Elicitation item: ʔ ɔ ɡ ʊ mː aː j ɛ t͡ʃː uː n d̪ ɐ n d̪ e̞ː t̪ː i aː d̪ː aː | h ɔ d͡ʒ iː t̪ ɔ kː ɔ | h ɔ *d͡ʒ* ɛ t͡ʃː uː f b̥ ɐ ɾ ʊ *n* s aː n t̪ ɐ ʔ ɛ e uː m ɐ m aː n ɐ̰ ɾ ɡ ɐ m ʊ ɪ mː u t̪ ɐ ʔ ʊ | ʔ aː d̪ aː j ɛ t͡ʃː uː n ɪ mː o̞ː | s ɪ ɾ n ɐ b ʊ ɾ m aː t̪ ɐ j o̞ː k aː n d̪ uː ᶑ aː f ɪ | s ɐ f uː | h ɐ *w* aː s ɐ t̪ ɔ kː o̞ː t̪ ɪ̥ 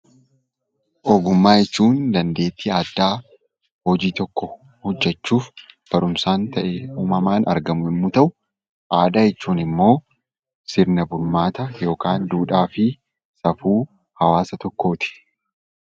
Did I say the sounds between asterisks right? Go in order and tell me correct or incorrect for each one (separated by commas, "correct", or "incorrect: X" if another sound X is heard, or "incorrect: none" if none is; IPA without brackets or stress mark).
incorrect: d͡ʒː, incorrect: m, correct